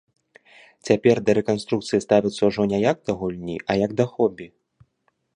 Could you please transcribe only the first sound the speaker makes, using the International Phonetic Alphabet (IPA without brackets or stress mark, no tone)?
t͡sʲ